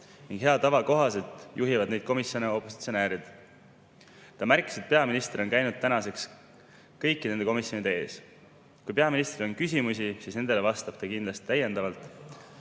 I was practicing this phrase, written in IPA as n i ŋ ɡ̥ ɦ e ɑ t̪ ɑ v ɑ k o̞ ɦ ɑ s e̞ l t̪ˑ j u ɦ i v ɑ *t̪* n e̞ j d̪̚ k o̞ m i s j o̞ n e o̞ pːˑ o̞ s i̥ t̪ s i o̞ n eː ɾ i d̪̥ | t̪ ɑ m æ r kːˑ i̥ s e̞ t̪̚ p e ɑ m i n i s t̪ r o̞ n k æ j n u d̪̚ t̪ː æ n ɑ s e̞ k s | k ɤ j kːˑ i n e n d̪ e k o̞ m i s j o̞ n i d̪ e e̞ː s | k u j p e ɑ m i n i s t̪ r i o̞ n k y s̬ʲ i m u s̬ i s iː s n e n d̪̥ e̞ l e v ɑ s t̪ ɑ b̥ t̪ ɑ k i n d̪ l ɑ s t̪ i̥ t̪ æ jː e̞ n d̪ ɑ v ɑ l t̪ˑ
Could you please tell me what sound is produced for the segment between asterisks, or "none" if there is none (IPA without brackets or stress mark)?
d̪